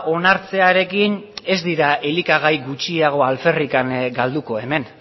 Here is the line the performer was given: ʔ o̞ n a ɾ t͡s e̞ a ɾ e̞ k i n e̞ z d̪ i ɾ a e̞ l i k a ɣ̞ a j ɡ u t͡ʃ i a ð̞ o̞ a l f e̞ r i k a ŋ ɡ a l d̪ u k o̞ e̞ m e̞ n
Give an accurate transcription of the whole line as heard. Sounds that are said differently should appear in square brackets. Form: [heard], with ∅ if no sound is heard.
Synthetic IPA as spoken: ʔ o̞ n a ɾ t͡s e̞ a ɾ e̞ k i n e̞ z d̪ i ɾ a e̞ l i k a ɣ̞ a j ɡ u t͡ʃ i a [ɣ̞] o̞ a l f e̞ r i k a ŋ ɡ a l d̪ u k o̞ e̞ m e̞ n